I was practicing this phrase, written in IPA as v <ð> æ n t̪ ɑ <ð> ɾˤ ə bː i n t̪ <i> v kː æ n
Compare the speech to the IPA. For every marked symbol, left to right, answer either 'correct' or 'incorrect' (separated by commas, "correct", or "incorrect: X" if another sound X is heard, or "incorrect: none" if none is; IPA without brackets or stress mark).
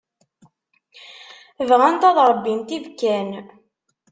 incorrect: ʁ, correct, correct